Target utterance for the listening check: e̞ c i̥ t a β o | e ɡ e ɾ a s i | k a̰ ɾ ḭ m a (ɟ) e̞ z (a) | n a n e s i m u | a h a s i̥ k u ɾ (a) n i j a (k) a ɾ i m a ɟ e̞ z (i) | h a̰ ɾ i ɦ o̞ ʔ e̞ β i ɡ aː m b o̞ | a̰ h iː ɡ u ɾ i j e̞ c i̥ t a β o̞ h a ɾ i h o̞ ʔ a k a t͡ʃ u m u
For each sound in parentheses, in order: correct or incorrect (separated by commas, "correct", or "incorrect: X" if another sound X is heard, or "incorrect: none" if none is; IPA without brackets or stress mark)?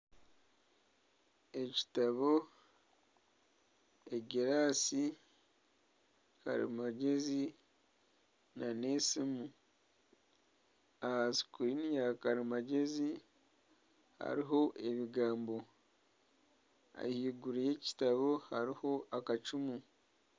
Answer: correct, incorrect: i, incorrect: i, correct, correct